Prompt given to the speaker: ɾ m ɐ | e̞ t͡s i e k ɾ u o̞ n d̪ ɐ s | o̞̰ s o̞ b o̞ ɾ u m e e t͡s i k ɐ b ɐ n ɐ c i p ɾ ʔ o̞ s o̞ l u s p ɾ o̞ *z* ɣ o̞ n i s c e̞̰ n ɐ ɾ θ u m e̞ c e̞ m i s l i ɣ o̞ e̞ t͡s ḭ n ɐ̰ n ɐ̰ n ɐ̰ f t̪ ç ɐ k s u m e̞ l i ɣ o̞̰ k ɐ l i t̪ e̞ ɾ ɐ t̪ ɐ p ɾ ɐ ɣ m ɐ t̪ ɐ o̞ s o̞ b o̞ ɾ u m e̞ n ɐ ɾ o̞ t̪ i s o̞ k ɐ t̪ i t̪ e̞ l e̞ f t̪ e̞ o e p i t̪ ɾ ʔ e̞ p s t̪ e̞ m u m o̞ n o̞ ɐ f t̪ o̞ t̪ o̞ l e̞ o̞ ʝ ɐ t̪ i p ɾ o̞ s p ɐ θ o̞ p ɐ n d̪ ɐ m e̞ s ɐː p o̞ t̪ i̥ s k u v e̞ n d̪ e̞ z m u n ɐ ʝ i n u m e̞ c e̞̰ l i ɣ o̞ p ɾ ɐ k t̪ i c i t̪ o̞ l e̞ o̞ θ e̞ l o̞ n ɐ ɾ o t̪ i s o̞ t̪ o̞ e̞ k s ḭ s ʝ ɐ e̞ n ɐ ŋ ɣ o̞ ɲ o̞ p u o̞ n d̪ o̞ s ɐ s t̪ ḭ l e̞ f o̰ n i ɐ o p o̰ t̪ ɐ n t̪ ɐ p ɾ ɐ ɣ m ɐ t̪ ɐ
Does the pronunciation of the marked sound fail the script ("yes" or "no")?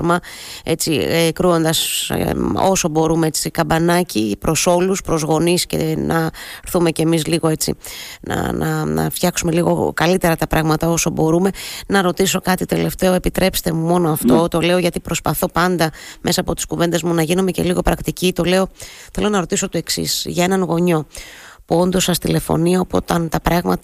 no